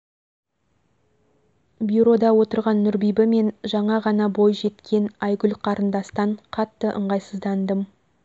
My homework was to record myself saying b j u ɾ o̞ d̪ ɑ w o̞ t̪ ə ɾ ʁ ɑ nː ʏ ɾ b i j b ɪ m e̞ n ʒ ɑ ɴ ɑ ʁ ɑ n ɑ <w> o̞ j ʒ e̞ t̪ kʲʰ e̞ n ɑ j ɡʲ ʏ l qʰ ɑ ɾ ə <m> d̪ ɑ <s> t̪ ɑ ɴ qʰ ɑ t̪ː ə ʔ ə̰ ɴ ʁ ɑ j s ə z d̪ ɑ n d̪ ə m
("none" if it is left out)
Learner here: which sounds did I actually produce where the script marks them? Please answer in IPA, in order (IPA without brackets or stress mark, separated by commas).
b, n, s